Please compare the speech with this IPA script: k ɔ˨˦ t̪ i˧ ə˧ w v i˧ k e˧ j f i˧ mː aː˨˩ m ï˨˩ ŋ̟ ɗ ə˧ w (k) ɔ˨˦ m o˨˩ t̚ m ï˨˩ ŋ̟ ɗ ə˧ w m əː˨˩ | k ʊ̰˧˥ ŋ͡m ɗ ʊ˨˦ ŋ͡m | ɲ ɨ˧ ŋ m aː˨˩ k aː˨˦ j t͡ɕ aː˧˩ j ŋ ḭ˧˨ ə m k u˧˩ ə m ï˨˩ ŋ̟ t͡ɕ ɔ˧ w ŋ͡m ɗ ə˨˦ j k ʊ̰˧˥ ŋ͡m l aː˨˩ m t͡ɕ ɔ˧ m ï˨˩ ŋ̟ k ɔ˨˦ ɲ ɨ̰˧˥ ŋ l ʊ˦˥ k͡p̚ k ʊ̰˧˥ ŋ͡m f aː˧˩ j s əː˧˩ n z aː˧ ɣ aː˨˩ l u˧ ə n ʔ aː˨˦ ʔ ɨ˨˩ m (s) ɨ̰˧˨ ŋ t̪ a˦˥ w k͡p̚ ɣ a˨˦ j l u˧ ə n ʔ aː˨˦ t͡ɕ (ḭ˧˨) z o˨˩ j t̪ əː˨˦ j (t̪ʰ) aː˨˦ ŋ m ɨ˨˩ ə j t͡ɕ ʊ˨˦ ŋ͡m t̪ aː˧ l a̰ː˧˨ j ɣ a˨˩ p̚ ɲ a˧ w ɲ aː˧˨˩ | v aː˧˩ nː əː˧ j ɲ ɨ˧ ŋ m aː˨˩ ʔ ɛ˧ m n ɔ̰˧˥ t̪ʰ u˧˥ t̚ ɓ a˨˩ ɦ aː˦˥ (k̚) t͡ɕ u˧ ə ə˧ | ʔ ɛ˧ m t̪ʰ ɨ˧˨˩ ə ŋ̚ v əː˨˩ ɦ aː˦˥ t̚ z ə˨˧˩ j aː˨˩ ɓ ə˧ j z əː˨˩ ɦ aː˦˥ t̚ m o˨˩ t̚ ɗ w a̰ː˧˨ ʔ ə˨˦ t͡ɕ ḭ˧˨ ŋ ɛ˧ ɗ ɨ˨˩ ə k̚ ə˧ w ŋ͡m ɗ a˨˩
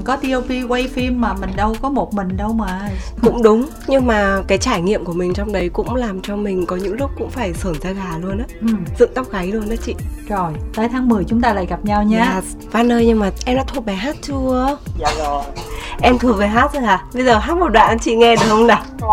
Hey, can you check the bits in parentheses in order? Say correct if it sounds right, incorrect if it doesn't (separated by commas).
correct, incorrect, correct, correct, incorrect